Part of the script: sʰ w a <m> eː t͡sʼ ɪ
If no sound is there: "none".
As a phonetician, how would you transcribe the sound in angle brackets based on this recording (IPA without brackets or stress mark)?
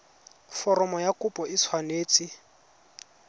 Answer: n